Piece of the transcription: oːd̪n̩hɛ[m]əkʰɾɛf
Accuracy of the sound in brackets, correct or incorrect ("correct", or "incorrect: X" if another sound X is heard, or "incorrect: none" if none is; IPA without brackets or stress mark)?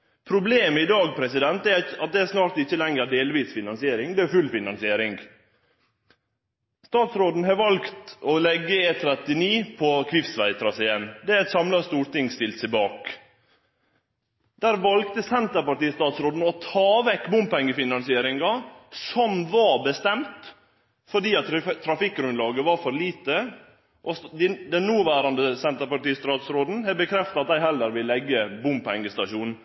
incorrect: b